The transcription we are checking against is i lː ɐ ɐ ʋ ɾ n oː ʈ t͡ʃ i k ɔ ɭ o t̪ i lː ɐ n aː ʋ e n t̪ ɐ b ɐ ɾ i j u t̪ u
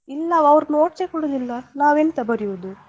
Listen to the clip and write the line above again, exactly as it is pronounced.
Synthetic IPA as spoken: i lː ɐ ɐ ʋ ɾ n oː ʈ t͡ʃ e k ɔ ɽ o d̪ i lː ɐ n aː ʋ e n t̪ ɐ b ɐ ɾ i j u d̪ u

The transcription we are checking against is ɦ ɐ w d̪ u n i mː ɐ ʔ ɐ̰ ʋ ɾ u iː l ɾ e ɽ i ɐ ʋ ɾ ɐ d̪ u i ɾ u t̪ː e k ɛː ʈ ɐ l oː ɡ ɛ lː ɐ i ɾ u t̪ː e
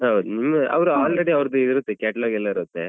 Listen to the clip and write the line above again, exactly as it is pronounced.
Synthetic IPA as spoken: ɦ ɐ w d̪ u n i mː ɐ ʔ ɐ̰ ʋ ɾ u aː l ɾ e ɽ i ɐ ʋ ɾ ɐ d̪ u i ɾ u t̪ː e k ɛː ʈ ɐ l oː ɡ ɛ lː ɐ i ɾ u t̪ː e

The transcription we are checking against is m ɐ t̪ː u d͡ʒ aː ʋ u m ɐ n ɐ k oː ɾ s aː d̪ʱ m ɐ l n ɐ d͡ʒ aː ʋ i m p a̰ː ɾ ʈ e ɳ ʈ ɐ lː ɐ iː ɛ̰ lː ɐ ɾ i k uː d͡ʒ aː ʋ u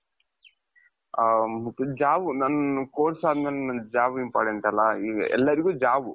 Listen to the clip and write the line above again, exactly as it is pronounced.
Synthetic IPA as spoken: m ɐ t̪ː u d͡ʒ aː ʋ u n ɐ n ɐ k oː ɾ s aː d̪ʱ m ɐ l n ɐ d͡ʒ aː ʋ i m p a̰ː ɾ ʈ e ɳ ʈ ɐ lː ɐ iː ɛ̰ lː ɐ ɾ i ɡ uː d͡ʒ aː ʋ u

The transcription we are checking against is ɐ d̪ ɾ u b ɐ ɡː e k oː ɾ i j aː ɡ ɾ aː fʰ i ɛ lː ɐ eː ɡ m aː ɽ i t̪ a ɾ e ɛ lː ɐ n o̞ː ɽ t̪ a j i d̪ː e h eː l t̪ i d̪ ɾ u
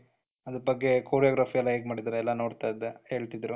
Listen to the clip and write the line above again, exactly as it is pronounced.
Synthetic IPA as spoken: ɐ d̪ ɾ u b ɐ ɡː e k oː ɾ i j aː ɡ ɾ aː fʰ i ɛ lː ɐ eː ɡ m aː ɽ i d̪ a ɾ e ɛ lː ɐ n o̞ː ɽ t̪ a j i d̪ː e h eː ɭ t̪ i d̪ ɾ u

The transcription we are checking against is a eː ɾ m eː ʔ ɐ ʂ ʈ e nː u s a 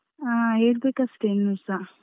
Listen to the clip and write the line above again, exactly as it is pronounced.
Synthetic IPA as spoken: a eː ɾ b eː k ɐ s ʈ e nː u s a

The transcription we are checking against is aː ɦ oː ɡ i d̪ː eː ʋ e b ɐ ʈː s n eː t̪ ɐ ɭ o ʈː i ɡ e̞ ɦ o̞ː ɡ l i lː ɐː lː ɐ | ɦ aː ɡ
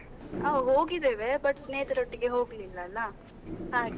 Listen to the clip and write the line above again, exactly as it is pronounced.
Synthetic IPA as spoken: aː ɦ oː ɡ i d̪ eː ʋ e b ɐ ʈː s n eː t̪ ɐ ɾ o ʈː i ɡ e̞ ɦ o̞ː ɡ l i lː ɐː lː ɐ | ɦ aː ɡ

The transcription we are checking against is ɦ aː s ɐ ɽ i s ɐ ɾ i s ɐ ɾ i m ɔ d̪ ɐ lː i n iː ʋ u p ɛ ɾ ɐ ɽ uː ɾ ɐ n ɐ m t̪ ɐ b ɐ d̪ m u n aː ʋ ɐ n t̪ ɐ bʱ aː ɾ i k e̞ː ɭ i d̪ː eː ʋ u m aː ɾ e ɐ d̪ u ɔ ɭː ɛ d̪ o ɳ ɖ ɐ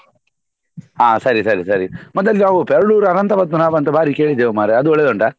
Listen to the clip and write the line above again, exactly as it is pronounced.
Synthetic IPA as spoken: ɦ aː s ɐ ɾ i s ɐ ɾ i s ɐ ɾ i m ɔ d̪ ɐ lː i n aː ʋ u p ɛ ɾ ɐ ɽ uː ɾ ɐ n ɐ n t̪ ɐ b ɐ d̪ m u n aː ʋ ɐ n t̪ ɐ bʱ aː ɾ i k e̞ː ɭ i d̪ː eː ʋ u m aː ɾ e ɐ d̪ u ɔ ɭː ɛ d̪ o ɳ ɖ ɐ

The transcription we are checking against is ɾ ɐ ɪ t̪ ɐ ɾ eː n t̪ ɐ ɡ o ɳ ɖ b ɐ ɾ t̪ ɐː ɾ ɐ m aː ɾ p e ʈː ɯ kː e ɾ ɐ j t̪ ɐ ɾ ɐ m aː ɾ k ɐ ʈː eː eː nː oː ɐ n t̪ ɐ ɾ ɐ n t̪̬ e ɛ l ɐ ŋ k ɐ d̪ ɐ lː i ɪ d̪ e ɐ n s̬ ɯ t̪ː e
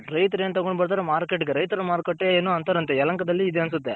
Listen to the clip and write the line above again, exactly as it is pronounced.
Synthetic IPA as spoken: ɾ ɐ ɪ t̪ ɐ ɾ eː n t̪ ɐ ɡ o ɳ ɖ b ɐ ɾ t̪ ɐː ɾ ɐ m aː ɾ k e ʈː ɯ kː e ɾ ɐ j t̪ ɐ ɾ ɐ m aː ɾ k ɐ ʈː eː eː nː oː ɐ n t̪ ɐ ɾ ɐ n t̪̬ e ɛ l ɐ ŋ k ɐ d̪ ɐ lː i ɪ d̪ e ɐ n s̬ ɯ t̪ː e

